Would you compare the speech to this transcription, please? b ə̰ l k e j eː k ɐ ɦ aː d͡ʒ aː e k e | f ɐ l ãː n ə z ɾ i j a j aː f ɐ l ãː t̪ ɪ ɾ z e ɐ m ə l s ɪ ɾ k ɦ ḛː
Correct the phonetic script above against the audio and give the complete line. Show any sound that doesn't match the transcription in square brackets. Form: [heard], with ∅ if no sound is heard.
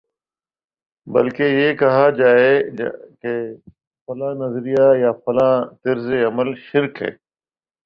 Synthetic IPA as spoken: b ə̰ l k e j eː k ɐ ɦ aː d͡ʒ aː e k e | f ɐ l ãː n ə z ɾ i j a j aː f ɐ l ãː t̪ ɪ ɾ z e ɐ m ə l [ʃ] ɪ ɾ k ɦ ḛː